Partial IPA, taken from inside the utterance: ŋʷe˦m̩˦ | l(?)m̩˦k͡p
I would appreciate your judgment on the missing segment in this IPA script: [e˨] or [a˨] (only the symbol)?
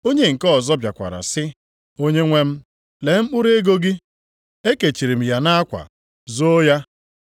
e˨